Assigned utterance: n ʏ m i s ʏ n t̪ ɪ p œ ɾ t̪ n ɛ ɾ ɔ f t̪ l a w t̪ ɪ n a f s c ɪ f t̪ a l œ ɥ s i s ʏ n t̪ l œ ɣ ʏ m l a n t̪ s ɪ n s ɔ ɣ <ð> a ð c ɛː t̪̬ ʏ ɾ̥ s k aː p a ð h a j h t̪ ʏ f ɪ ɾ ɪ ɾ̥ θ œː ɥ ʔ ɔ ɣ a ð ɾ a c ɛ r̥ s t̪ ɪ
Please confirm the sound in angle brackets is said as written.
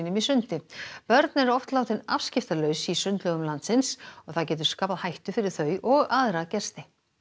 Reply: no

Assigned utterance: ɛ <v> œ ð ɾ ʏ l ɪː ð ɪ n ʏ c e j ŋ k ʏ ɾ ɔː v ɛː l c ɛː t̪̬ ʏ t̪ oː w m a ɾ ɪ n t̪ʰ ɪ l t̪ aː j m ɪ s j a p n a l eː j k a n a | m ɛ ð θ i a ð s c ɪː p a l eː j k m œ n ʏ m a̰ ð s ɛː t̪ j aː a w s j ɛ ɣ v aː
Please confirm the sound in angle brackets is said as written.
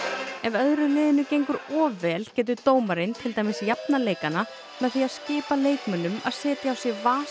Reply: yes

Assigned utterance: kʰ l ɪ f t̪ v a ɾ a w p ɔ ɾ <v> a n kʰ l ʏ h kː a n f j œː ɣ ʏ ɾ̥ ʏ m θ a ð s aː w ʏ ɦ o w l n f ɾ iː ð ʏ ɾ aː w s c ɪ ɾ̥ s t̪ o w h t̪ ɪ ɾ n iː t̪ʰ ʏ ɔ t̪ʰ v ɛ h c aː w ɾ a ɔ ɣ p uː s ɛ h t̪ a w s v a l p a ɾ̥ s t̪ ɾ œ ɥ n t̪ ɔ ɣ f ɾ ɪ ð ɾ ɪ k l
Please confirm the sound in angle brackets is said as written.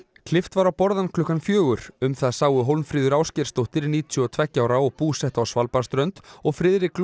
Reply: no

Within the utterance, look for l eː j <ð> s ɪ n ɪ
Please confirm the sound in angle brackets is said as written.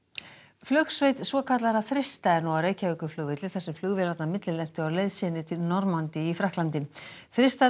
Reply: yes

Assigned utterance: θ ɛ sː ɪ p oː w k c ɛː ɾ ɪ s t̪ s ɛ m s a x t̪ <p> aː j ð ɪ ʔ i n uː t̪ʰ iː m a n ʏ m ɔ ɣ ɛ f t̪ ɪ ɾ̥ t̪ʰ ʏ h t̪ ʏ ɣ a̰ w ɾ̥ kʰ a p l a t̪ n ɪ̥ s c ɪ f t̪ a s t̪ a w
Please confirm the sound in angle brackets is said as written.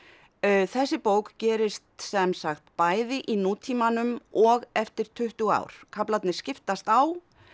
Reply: yes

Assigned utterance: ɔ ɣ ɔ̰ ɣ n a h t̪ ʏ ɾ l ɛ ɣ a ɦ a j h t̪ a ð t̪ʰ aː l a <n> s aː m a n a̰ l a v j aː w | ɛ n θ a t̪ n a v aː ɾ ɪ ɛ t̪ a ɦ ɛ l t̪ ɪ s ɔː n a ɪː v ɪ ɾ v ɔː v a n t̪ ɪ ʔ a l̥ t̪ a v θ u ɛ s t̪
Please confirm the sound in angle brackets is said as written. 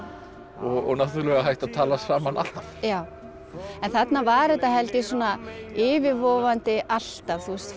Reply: no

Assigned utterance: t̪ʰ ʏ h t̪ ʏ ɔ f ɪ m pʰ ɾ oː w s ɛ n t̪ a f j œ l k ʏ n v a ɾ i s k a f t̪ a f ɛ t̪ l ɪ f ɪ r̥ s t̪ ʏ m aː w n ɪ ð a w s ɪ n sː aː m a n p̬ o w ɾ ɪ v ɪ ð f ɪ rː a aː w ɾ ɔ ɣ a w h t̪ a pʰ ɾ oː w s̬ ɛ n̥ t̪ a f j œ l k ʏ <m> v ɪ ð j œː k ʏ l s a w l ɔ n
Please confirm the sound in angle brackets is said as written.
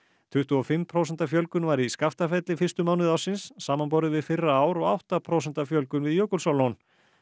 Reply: no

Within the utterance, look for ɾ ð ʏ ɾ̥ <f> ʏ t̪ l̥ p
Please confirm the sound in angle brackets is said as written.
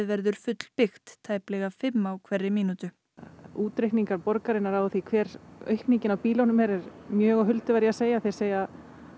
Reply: yes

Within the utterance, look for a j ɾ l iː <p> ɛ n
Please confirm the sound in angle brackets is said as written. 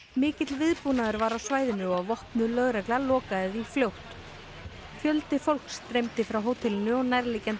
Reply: no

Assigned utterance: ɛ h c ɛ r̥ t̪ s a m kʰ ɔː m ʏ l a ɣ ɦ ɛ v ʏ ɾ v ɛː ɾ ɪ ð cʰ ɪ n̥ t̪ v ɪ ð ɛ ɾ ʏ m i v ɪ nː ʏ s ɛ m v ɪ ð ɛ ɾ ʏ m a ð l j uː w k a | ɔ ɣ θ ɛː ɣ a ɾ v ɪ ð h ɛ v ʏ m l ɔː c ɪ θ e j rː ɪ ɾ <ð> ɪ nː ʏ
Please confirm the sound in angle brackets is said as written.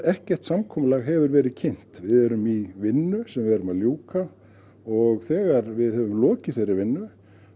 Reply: no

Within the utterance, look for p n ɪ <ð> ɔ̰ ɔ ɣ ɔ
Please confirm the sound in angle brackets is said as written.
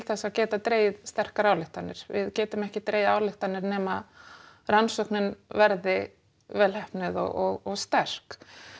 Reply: yes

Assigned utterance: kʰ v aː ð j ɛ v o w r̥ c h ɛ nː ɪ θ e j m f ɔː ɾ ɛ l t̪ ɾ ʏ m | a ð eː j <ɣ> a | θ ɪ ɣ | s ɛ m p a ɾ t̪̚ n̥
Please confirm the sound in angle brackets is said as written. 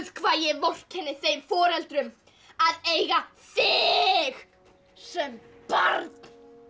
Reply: yes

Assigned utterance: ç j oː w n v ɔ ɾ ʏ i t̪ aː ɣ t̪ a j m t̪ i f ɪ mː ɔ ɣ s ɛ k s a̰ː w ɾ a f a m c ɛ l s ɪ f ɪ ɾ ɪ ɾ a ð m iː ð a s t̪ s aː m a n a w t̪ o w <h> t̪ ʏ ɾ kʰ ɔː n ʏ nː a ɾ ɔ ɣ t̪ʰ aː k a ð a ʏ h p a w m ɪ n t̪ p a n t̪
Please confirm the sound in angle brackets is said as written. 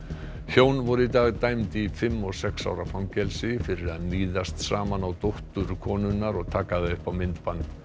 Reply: yes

